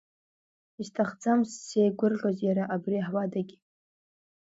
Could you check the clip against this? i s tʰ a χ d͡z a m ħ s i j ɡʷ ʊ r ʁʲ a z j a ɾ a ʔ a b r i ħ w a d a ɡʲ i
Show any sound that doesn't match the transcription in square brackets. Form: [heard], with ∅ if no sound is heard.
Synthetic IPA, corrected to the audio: i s tʰ a χ d͡z a m [s] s [e] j ɡʷ ʊ r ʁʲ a z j a ɾ a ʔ a b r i ħ w a d a ɡʲ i